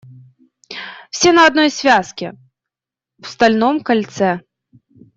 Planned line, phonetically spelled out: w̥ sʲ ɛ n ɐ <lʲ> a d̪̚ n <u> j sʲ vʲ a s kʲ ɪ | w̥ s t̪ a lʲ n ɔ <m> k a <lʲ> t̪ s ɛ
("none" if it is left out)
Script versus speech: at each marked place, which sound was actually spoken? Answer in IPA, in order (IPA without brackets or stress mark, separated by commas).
none, ɔ, m, lʲ